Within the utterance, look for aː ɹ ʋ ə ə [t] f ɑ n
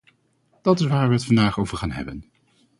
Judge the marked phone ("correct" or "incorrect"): correct